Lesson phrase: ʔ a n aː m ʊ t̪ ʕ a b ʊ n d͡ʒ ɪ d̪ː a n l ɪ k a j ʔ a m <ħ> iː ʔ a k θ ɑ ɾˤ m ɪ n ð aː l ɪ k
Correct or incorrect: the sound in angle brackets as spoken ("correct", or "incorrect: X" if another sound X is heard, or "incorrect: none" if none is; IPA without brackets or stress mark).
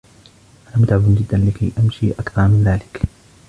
incorrect: ʃ